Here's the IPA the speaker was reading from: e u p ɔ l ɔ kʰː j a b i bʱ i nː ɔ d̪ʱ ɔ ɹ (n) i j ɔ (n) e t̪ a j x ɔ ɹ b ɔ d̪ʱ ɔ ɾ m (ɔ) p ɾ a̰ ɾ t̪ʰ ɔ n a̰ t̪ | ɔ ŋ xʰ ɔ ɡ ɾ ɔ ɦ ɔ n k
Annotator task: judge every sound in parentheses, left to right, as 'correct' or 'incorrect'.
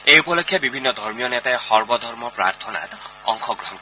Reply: incorrect: m, correct, correct

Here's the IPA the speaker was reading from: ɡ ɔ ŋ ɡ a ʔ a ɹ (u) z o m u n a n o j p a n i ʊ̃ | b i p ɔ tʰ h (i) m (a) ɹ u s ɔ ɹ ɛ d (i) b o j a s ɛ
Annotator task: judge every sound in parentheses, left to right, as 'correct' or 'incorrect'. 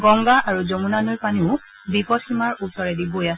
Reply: correct, correct, correct, correct

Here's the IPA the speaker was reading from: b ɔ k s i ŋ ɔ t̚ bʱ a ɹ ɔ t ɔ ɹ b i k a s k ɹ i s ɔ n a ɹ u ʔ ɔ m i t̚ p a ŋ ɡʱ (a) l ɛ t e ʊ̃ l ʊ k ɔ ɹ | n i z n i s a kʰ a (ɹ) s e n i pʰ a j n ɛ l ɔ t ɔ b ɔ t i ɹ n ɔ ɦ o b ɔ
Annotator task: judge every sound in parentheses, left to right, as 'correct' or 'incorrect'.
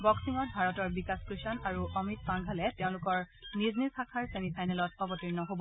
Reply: correct, correct

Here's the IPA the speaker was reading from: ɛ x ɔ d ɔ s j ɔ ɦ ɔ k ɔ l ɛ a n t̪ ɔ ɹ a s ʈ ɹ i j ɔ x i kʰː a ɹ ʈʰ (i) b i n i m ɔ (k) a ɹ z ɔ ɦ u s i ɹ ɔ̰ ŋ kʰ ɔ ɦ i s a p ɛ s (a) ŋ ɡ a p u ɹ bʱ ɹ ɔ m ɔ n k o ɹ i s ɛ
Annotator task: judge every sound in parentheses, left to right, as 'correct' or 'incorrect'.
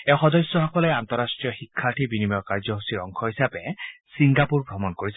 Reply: correct, correct, incorrect: i

